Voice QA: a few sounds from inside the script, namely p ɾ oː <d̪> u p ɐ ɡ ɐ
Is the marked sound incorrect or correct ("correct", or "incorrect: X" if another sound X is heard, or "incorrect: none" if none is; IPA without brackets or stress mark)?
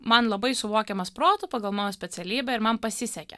incorrect: t̪